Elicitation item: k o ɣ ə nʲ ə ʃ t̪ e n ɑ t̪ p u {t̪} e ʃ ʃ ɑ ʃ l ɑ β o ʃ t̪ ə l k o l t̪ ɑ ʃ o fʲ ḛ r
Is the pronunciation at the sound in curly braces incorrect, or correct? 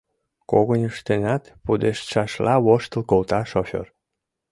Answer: incorrect